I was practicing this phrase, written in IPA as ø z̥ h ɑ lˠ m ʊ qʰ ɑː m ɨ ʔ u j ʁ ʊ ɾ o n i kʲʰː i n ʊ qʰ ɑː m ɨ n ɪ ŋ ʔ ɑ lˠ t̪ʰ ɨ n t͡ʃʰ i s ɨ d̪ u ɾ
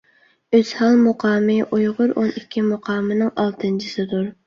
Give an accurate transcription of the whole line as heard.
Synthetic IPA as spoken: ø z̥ h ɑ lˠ m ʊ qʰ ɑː m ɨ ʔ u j ʁ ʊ ɾ o n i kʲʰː i m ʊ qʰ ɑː m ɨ n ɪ ŋ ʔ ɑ lˠ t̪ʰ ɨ n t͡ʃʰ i s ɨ d̪ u ɾ